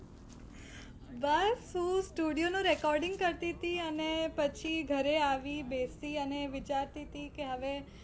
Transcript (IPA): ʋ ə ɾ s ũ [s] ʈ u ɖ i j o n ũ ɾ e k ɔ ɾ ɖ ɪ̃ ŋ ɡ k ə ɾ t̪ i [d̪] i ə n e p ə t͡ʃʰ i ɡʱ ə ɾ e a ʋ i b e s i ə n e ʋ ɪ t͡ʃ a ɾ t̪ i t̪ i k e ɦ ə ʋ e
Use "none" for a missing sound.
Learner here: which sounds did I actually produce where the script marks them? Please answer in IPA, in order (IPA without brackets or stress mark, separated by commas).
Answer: s, t̪